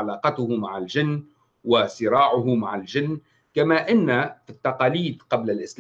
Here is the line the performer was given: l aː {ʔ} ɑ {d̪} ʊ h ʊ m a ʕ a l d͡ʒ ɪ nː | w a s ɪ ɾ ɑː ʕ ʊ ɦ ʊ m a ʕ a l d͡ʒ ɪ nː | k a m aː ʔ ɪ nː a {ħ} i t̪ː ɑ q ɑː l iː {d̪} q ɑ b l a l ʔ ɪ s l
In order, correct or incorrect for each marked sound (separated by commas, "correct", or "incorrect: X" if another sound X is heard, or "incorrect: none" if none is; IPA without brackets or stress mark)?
incorrect: q, incorrect: t̪, incorrect: f, correct